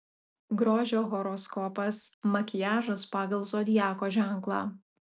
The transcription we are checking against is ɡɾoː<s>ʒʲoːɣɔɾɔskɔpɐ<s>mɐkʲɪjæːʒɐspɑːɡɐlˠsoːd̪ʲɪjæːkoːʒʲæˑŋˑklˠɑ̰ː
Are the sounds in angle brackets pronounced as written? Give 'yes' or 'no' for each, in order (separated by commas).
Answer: no, yes